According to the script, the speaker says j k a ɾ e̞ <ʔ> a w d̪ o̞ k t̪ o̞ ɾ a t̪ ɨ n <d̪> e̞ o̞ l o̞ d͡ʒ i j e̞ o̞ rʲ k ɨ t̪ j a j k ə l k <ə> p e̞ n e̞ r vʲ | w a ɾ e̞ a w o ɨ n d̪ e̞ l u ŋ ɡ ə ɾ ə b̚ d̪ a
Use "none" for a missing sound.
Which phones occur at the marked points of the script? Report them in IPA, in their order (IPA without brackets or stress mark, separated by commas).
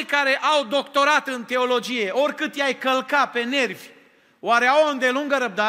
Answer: ʔ, t̪, a